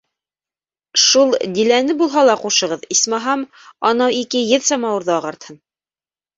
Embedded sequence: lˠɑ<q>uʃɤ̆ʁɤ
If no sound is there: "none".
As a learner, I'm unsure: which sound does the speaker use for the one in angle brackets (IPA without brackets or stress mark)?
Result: q